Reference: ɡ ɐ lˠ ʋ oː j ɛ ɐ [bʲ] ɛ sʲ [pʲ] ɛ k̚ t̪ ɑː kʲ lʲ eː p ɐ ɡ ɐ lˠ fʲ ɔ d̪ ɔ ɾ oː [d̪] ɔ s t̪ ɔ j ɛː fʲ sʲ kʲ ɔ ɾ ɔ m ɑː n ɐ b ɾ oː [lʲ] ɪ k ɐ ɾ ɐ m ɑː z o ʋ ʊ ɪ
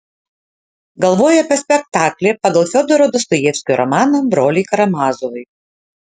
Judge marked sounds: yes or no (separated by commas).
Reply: no, yes, yes, yes